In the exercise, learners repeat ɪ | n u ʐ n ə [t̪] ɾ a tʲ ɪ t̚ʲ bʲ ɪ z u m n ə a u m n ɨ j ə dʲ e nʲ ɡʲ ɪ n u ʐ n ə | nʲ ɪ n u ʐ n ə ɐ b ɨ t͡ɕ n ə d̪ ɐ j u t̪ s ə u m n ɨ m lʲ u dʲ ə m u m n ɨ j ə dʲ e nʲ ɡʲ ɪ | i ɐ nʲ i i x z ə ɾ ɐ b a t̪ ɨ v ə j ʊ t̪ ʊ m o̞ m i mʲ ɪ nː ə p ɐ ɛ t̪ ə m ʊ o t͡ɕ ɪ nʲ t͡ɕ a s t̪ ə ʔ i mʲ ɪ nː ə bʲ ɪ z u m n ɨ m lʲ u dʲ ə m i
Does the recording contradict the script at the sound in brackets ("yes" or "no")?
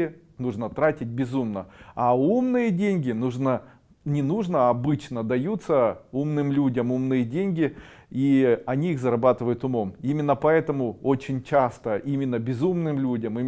no